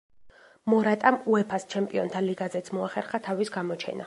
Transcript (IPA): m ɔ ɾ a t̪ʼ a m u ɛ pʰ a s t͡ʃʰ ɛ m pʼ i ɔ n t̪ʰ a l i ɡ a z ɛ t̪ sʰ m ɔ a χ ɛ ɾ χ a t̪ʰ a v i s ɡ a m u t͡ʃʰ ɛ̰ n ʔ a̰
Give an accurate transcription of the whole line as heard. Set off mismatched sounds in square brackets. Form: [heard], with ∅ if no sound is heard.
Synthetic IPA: m ɔ ɾ a t̪ʼ a m u ɛ pʰ a s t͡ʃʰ ɛ m pʼ i ɔ n t̪ʰ a l i ɡ a z ɛ t̪ sʰ m ɔ a χ ɛ ɾ χ a t̪ʰ a v i s ɡ a m [ɔ] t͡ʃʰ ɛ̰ n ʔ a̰